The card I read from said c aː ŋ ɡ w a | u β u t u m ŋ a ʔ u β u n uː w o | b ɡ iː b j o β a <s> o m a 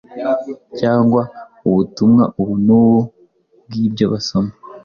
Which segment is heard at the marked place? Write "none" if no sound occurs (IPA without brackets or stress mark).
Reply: s